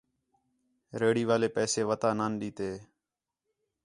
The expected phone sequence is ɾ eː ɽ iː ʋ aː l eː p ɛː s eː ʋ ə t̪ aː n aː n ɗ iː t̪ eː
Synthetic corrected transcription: ɾ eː ɽ iː ʋ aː l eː p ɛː s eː ʋ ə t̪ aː n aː n ɗ iː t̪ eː